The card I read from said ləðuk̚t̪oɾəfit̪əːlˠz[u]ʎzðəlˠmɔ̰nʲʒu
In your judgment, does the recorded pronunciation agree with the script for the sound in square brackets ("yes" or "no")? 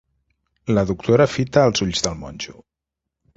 yes